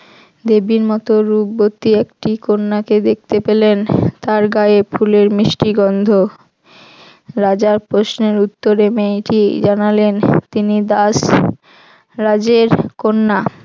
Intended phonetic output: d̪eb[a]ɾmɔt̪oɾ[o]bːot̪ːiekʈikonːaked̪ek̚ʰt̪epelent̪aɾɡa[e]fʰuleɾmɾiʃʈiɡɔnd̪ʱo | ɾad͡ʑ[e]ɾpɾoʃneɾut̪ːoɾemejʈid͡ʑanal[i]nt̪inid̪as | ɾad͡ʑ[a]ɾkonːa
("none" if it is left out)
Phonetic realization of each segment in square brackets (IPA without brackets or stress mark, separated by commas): i, u, e, a, e, e